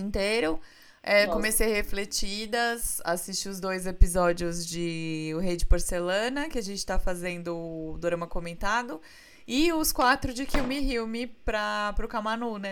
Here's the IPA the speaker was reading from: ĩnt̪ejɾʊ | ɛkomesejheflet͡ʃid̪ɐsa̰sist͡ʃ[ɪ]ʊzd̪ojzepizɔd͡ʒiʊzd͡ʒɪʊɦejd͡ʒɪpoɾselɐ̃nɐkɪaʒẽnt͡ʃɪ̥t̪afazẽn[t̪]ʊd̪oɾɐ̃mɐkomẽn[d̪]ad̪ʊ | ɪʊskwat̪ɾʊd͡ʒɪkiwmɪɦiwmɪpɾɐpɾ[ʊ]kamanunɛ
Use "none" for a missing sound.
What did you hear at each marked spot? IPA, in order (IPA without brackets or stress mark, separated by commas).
i, d̪, t̪, ʊ